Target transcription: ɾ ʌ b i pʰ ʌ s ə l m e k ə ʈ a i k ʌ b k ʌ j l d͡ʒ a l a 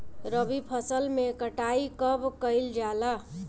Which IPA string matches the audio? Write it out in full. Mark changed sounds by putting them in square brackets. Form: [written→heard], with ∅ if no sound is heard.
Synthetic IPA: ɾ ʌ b i pʰ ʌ s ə l m e k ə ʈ a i k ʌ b k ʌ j l d͡ʒ a l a